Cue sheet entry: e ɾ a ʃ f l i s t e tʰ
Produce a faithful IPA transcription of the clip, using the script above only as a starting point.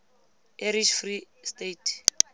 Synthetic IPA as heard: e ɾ i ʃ f r i s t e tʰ